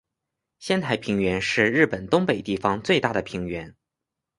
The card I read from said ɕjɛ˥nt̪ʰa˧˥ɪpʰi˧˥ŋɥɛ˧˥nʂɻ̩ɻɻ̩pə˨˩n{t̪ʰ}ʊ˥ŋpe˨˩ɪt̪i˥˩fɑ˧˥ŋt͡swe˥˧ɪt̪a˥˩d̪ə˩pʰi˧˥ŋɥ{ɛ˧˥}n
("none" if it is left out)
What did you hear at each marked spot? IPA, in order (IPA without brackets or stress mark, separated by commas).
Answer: t̪, ɛ˧˥